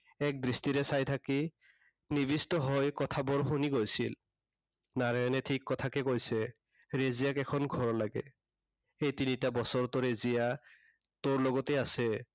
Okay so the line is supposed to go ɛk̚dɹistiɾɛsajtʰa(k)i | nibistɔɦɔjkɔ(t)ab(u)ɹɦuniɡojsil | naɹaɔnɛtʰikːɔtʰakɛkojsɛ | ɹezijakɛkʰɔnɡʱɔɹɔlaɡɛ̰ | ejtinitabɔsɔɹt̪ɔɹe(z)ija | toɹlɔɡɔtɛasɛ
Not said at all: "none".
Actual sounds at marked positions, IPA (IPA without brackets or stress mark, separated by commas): k, tʰ, ɔ, z